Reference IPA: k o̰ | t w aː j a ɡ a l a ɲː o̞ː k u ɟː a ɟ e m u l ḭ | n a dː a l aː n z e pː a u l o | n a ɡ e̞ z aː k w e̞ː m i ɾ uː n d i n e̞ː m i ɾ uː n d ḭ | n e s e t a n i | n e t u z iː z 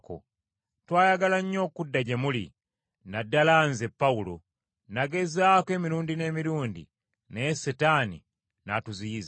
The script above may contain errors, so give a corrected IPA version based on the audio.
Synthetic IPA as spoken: k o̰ | t w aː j a ɡ a l a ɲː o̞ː k u dː a ɟ e m u l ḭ | n a dː a l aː n z e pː a u l o | n a ɡ e̞ z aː k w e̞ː m i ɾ uː n d i n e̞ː m i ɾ uː n d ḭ | n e s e t a n i | n a t u z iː z